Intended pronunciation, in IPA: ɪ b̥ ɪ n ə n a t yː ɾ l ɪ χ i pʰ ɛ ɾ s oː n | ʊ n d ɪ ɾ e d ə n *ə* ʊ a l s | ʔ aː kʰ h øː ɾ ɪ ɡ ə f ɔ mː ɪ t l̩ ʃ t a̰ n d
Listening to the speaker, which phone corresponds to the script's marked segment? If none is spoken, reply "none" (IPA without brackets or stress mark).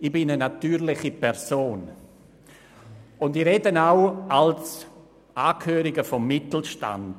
a